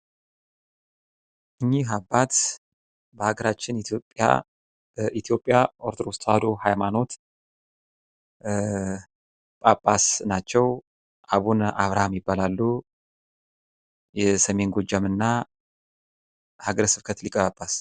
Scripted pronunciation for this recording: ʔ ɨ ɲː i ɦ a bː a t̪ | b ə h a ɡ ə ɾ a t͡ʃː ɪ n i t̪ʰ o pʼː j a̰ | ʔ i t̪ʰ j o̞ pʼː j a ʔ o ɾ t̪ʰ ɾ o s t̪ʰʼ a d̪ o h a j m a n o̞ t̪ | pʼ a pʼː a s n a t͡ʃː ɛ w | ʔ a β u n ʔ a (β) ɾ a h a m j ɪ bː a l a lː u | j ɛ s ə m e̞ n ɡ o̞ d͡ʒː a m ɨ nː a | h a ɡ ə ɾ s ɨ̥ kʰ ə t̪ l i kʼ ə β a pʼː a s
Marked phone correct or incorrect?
correct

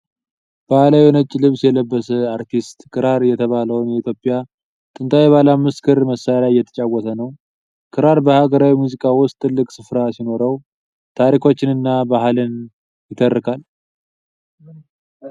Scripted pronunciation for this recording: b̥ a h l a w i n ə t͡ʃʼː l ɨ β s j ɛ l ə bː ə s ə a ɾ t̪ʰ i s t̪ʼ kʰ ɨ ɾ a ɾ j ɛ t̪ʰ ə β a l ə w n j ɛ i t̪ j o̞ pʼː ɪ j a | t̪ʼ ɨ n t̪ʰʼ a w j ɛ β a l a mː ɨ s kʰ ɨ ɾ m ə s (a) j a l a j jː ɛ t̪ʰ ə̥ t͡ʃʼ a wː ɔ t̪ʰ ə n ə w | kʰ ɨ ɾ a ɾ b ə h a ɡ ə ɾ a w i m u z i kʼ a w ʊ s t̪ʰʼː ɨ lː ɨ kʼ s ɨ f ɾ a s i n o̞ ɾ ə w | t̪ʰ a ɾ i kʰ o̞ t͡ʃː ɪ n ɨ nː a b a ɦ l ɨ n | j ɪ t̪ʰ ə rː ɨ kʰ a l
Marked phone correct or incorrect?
correct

